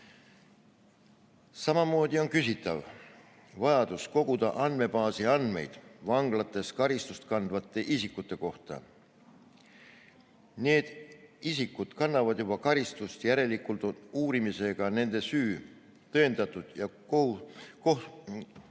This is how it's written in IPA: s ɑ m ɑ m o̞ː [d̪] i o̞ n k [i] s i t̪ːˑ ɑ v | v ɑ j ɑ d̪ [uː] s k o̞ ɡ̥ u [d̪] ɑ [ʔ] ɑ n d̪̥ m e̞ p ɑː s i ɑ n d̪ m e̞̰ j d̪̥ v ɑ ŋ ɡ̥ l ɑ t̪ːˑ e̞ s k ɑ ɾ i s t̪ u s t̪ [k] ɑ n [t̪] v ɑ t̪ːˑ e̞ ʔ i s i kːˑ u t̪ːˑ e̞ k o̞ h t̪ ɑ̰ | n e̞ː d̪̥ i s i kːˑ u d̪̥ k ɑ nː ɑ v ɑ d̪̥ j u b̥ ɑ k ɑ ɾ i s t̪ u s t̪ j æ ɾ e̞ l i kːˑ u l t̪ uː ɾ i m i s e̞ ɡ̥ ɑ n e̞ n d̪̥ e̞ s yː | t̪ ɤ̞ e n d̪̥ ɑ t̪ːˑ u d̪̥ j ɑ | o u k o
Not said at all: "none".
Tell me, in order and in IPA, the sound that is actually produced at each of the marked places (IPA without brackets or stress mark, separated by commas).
d̪, y, u, d̪, ʔ, k, d̪